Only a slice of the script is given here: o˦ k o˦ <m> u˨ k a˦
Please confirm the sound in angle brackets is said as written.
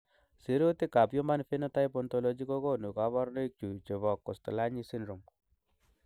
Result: no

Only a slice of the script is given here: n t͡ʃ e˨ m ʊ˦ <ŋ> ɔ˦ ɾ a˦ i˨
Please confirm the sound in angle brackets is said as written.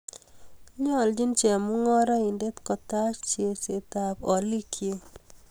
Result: yes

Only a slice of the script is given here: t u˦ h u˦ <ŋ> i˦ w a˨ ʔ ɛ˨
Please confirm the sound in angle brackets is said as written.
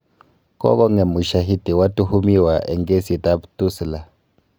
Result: no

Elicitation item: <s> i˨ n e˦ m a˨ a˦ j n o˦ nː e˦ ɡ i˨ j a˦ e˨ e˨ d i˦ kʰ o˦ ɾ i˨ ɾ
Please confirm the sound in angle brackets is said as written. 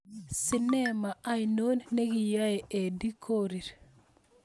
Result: yes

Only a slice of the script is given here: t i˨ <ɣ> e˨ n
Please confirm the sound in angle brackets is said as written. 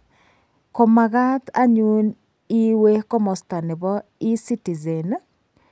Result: no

